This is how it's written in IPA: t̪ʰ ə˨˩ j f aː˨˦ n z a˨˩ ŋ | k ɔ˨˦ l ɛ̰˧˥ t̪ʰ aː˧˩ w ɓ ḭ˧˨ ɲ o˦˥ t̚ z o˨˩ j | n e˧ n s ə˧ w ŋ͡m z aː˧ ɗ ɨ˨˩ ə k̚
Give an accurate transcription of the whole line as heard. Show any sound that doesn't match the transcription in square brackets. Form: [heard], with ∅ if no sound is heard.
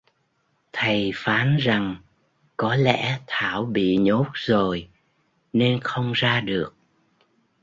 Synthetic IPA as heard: t̪ʰ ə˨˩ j f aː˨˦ n z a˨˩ ŋ | k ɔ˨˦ l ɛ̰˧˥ t̪ʰ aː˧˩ w ɓ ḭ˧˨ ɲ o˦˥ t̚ z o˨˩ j | n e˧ n [x] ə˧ w ŋ͡m z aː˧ ɗ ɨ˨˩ ə k̚